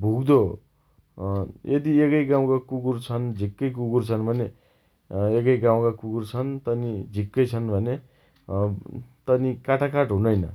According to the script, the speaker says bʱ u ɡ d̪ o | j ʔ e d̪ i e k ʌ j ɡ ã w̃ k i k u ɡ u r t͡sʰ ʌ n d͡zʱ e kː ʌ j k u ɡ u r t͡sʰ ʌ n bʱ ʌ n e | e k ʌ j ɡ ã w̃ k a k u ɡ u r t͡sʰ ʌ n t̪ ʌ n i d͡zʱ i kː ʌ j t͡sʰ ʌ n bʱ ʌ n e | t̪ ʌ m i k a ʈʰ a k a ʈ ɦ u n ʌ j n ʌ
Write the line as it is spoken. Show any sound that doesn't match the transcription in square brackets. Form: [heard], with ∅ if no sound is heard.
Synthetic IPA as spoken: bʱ u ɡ d̪ o | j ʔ e d̪ i e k ʌ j ɡ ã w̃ k [a] k u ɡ u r t͡sʰ ʌ n d͡zʱ [i] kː ʌ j k u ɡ u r t͡sʰ ʌ n bʱ ʌ n e | e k ʌ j ɡ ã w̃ k a k u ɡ u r t͡sʰ ʌ n t̪ ʌ n i d͡zʱ i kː ʌ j t͡sʰ ʌ n bʱ ʌ n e | t̪ ʌ [n] i k a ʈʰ a k a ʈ ɦ u n ʌ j n ʌ